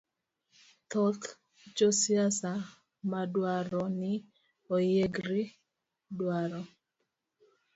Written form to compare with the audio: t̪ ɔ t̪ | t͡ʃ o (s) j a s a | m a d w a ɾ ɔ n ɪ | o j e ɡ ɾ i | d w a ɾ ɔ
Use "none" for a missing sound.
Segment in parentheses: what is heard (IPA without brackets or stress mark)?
s